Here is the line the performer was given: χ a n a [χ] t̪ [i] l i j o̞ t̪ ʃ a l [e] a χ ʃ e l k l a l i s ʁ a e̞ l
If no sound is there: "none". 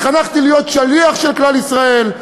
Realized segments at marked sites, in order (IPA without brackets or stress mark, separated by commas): χ, i, i